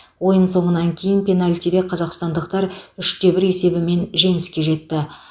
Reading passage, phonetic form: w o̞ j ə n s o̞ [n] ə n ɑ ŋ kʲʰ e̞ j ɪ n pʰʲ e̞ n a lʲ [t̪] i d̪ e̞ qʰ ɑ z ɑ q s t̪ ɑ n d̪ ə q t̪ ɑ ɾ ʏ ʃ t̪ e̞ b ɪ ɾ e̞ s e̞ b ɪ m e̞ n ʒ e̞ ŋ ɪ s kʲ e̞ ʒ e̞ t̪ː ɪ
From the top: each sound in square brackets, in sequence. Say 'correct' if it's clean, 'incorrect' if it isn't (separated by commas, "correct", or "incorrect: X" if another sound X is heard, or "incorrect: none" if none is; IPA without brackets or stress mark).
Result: incorrect: ɴ, correct